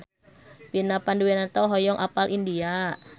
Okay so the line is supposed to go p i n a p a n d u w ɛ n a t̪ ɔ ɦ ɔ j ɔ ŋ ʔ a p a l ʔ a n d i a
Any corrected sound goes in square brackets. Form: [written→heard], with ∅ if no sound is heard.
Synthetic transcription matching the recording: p i n a p a n d u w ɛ n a t̪ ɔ ɦ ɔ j ɔ ŋ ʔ a p a l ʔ [a→i] n d i a